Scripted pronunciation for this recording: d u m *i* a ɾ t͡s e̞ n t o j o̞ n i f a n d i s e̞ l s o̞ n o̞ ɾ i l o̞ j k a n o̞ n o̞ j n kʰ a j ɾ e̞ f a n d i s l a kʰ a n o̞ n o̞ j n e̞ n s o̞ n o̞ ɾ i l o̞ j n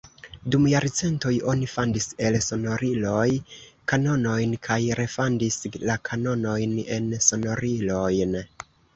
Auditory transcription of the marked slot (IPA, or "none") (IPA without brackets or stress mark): j